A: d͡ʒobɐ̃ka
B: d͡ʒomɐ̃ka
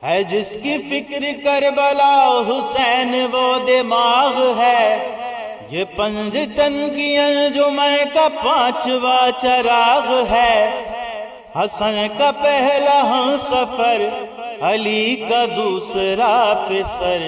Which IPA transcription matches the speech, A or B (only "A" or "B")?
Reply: B